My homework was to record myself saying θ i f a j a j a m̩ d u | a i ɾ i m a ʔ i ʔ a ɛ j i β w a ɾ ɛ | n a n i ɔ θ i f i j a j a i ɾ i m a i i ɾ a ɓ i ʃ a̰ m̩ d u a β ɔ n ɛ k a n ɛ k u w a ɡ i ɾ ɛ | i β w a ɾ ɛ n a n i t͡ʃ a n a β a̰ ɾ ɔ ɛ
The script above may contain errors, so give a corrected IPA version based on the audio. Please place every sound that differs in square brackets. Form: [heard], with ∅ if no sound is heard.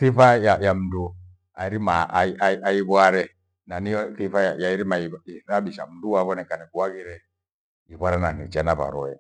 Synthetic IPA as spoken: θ i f a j a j a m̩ d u | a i ɾ i m a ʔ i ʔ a [a] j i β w a ɾ ɛ | n a n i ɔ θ i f [a] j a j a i ɾ i m a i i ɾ a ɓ i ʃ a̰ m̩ d u a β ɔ n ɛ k a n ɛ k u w a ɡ i ɾ ɛ | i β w a ɾ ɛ n a n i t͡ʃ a n a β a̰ ɾ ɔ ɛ